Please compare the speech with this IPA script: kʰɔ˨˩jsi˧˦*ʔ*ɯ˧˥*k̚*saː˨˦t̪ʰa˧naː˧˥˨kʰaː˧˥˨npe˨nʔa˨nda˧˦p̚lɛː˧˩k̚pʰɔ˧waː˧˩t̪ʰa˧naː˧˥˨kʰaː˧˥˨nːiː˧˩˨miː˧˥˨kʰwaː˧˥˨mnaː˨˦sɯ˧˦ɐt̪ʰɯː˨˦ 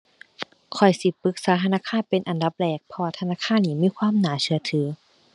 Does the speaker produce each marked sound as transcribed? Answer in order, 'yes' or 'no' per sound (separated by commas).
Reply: no, yes